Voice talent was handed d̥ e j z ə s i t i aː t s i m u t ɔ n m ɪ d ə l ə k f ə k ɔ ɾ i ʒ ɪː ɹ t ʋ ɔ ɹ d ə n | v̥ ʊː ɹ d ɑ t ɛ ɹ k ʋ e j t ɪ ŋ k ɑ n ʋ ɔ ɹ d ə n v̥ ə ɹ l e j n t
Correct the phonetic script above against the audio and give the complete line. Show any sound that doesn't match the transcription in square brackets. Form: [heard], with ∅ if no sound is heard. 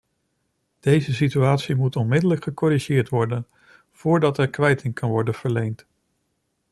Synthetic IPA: d̥ e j z ə s i t [y] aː t s i m u t ɔ n m ɪ d ə l ə k [χ] ə k ɔ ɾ i ʒ ɪː ɹ t ʋ ɔ ɹ d ə n | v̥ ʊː ɹ d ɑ t ɛ ɹ k ʋ [ɛ] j t ɪ ŋ k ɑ n ʋ ɔ ɹ d ə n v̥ ə ɹ l e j n t